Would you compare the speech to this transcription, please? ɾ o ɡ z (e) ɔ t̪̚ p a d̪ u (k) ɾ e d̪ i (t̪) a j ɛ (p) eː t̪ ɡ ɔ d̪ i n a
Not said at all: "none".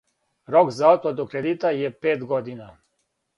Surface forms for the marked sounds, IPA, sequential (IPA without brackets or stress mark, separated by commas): a, k, t̪, p